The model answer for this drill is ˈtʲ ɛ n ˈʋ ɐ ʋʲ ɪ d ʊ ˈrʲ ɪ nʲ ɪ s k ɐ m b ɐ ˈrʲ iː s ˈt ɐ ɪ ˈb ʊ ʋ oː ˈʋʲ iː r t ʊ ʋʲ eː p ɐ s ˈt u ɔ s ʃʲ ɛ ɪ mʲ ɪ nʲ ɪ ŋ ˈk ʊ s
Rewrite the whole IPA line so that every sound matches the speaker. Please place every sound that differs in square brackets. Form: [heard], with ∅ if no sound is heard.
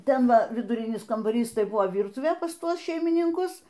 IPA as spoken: ˈtʲ ɛ n ˈʋ ɐ ʋʲ ɪ d ʊ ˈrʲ ɪ nʲ ɪ s k ɐ m b ɐ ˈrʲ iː s ˈt ɐ ɪ ˈb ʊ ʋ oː ˈʋʲ iː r t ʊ ʋʲ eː p ɐ s ˈt u ɔ s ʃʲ ɛ ɪ mʲ ɪ nʲ ɪ ŋ ˈk ʊ s